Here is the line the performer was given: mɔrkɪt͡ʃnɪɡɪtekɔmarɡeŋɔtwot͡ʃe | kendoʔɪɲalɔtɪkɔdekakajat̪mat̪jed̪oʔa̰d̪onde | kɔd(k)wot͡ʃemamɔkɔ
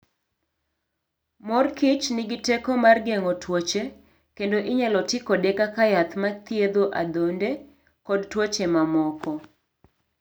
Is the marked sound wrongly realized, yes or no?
yes